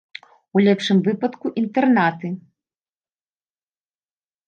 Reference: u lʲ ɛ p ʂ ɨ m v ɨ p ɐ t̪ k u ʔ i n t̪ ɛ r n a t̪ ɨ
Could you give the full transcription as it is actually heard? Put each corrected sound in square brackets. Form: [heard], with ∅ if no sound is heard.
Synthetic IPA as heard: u lʲ ɛ p ʂ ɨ m v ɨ p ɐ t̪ k u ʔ i n t̪ ɛ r n a t̪ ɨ

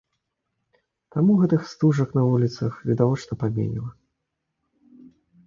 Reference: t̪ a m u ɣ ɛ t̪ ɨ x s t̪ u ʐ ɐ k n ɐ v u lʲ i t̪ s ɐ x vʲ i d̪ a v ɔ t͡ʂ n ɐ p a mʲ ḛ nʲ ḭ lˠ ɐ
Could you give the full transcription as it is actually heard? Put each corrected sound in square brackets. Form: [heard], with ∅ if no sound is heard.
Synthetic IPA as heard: t̪ a m u ɣ ɛ t̪ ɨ x s t̪ u ʐ ɐ k n ɐ v u lʲ i t̪ s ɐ x vʲ i d̪ a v ɔ t͡ʂ n ɐ p a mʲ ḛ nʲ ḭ lˠ ɐ

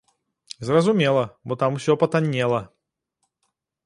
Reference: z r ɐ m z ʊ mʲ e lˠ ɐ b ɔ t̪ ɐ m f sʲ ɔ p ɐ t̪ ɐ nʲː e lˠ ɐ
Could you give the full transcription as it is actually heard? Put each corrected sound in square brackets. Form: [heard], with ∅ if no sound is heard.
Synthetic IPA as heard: z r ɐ [∅] z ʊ mʲ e lˠ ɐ b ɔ t̪ [a] m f sʲ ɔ p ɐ t̪ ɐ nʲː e lˠ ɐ

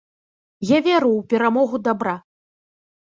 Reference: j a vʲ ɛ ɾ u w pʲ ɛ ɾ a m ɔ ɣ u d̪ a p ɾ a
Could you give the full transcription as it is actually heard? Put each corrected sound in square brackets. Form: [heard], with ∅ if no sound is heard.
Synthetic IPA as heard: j a vʲ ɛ ɾ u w pʲ ɛ ɾ a m ɔ ɣ u d̪ a [b] ɾ a

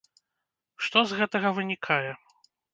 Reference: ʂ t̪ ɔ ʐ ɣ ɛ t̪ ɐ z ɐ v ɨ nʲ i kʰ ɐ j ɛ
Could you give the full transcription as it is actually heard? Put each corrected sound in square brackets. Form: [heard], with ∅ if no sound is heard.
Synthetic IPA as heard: ʂ t̪ ɔ [z] ɣ ɛ t̪ ɐ [ɣ] ɐ v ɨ nʲ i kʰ [a] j ɛ

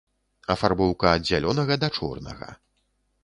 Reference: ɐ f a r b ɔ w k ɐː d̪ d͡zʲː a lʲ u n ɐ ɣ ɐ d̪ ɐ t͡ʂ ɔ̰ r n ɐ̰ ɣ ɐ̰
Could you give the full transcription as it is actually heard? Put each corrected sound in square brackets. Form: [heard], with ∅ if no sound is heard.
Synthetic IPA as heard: ɐ f a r b ɔ w k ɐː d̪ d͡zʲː a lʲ [ɔ] n ɐ ɣ ɐ d̪ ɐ t͡ʂ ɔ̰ r n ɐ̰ ɣ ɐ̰

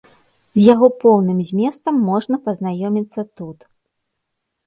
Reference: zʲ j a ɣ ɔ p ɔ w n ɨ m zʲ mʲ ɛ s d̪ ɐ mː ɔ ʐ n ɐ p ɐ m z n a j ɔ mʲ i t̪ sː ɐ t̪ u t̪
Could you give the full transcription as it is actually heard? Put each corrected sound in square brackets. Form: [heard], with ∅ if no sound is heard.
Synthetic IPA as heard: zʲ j a ɣ ɔ p ɔ w n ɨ m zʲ mʲ ɛ s [t̪] ɐ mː ɔ ʐ n ɐ p ɐ [∅] z n a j ɔ mʲ i t̪ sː ɐ t̪ u t̪

